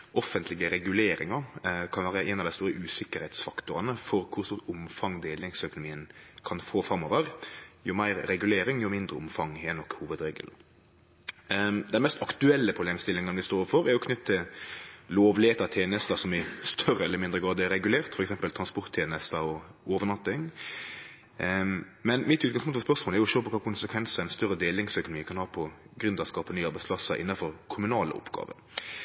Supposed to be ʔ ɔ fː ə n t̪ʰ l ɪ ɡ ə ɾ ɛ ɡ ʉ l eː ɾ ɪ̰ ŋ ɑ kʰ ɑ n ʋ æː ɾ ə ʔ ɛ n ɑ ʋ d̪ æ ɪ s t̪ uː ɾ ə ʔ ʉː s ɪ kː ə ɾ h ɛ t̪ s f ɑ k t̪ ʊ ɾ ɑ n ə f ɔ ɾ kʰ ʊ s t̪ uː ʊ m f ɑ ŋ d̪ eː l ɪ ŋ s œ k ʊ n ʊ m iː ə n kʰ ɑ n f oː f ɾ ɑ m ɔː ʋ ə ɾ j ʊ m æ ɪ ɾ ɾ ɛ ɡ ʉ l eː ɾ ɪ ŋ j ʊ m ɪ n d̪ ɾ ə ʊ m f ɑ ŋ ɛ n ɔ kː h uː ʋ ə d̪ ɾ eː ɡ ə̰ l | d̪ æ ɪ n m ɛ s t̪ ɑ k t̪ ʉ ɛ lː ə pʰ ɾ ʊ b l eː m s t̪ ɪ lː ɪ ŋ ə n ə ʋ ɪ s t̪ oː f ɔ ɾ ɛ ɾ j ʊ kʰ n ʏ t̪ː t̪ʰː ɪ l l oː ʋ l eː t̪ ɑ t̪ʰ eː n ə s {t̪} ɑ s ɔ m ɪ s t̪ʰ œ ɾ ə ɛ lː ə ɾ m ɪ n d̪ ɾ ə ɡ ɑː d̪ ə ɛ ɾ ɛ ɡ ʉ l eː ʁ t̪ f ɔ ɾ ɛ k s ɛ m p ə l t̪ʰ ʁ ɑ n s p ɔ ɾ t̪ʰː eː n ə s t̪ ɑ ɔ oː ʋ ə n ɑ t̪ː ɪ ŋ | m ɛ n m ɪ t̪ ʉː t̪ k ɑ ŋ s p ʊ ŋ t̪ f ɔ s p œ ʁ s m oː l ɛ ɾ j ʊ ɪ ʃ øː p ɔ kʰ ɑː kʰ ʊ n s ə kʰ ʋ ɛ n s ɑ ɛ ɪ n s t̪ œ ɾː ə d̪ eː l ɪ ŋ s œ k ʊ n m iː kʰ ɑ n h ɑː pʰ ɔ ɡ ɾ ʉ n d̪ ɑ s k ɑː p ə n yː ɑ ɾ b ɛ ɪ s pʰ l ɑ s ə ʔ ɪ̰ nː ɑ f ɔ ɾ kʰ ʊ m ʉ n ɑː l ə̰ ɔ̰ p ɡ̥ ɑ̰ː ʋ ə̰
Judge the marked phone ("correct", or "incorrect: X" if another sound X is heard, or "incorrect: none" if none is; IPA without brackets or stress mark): correct